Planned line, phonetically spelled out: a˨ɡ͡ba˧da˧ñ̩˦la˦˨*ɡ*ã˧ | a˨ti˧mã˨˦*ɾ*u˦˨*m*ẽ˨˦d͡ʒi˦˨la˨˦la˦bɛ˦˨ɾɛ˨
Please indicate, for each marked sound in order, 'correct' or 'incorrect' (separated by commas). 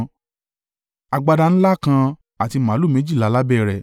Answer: incorrect, incorrect, correct